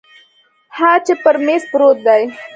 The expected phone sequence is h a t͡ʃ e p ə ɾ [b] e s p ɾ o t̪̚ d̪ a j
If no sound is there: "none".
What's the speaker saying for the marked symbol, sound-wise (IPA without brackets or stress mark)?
m